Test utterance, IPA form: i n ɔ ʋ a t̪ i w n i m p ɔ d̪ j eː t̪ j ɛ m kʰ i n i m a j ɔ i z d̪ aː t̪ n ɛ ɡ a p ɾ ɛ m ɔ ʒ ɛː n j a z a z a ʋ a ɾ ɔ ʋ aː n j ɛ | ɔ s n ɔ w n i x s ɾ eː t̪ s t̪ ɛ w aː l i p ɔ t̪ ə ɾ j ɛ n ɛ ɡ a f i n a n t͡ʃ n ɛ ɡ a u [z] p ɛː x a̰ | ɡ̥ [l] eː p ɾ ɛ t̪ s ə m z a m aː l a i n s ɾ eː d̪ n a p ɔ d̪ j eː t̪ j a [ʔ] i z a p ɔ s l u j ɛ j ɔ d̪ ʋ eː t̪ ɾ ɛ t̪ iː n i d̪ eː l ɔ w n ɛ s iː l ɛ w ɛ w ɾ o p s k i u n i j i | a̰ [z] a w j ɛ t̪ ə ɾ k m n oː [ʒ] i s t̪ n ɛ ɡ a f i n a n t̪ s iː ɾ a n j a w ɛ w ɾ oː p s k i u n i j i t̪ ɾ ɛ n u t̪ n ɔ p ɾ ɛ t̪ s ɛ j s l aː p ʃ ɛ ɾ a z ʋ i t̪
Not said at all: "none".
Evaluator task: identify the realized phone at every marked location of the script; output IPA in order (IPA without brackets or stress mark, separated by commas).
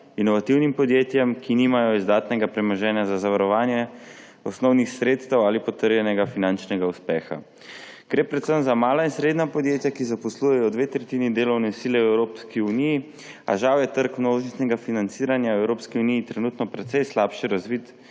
s, ɾ, k, ʒ, ʒ